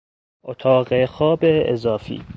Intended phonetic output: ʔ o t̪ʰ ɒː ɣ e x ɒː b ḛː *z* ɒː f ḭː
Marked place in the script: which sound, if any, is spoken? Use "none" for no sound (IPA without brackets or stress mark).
z